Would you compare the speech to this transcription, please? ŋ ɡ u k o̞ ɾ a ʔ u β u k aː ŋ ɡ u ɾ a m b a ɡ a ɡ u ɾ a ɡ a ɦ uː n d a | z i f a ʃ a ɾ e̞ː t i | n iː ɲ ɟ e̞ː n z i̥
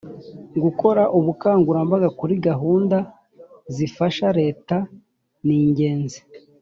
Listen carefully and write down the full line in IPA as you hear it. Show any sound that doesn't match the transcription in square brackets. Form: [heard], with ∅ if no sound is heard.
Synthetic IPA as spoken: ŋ ɡ u k o̞ ɾ a ʔ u β u k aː ŋ ɡ u ɾ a m b a ɡ a [k] u ɾ [i] ɡ a ɦ uː n d a | z i f a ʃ a ɾ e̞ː t [a] | n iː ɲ ɟ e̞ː n z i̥